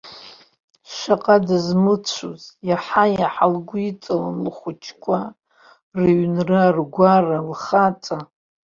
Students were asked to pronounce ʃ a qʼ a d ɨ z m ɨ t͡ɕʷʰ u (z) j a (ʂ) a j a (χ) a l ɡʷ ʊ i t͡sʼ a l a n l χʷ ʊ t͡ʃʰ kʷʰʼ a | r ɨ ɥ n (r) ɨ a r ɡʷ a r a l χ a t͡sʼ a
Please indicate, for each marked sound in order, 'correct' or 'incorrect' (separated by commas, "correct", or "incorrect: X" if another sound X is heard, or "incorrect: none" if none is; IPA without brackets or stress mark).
correct, incorrect: ħ, incorrect: ħ, correct